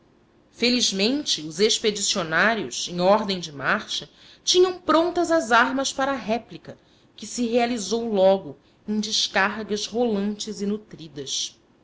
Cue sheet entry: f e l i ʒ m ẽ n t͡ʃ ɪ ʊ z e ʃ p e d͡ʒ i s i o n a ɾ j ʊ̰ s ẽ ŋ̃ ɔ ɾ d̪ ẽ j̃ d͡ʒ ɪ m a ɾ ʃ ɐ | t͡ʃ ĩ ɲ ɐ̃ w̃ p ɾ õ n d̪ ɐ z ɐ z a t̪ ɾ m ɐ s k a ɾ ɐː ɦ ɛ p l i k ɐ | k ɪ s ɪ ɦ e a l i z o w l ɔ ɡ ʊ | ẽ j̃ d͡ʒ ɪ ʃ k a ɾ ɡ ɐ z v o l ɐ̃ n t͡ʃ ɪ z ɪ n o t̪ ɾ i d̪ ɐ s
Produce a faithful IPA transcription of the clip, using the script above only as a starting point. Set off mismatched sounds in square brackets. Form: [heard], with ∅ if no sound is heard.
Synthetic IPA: f e l i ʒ m ẽ n t͡ʃ ɪ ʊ z e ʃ p e d͡ʒ i s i o n a ɾ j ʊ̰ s ẽ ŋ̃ ɔ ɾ d̪ ẽ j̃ d͡ʒ ɪ m a ɾ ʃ ɐ | t͡ʃ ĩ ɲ ɐ̃ w̃ p ɾ õ n [t̪] ɐ z ɐ z a [∅] ɾ m ɐ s [p] a ɾ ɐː ɦ ɛ p l i k ɐ | k ɪ s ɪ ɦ e a l i z o w l ɔ ɡ ʊ | ẽ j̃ d͡ʒ ɪ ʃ k a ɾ ɡ ɐ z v o l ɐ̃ n t͡ʃ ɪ z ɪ n [u] t̪ ɾ i d̪ ɐ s